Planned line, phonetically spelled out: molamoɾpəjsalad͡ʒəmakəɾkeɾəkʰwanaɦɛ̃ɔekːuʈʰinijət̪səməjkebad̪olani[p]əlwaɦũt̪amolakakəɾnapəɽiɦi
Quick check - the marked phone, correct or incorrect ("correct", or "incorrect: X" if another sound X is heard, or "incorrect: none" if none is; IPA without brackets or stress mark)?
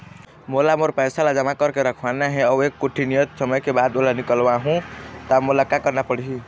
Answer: incorrect: k